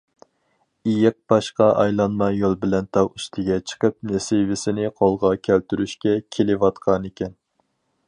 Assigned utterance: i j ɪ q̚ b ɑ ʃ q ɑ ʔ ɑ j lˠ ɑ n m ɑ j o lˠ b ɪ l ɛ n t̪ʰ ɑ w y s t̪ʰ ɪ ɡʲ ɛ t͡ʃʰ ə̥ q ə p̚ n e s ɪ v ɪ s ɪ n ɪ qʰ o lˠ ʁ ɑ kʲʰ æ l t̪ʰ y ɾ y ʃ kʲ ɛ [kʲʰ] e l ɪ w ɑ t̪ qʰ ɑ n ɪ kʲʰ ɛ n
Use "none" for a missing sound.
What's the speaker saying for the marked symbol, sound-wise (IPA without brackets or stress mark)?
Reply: kʲʰ